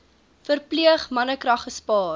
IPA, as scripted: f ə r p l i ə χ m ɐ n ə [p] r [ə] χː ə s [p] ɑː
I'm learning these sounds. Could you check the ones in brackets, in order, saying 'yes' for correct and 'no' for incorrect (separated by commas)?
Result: no, no, yes